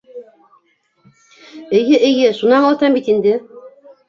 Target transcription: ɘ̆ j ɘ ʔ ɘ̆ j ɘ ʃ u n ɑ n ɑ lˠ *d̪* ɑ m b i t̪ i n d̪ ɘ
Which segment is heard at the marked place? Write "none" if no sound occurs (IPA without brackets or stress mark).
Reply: t̪